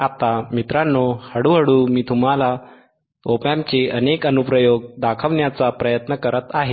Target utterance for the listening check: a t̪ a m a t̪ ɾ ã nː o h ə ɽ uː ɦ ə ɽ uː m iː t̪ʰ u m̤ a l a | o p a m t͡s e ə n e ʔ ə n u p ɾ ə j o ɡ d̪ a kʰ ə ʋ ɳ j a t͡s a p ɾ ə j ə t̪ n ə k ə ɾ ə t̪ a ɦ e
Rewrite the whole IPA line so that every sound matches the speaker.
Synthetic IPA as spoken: a t̪ a m i t̪ ɾ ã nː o h ə ɽ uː ɦ ə ɽ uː m iː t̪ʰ u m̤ a l a | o p a m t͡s e ə n e k ə n u p ɾ ə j o ɡ d̪ a kʰ ə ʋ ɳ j a t͡s a p ɾ ə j ə t̪ n ə k ə ɾ ə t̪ a ɦ e